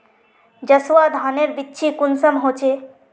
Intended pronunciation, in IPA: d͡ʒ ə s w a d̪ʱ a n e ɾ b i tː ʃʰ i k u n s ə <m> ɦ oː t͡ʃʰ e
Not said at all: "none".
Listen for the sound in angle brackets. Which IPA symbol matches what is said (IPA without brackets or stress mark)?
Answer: m